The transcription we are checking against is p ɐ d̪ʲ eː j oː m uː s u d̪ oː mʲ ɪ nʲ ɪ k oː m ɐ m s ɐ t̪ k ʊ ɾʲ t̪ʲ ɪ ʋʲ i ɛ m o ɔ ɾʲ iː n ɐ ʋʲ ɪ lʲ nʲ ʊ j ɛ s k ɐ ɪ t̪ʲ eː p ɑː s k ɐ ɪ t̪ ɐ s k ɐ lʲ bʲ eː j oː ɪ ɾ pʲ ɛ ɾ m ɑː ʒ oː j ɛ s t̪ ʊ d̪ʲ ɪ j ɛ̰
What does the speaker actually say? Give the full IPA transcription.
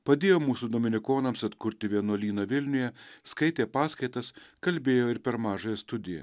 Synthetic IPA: p ɐ d̪ʲ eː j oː m uː s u d̪ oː mʲ ɪ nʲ ɪ k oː n ɐ m s ɐ t̪ k ʊ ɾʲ t̪ʲ ɪ ʋʲ i ɛ n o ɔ lʲ iː n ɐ ʋʲ ɪ lʲ nʲ ʊ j ɛ s k ɐ ɪ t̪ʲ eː p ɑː s k ɐ ɪ t̪ ɐ s k ɐ lʲ bʲ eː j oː ɪ ɾ pʲ ɛ ɾ m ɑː ʒ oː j ɛ s t̪ ʊ d̪ʲ ɪ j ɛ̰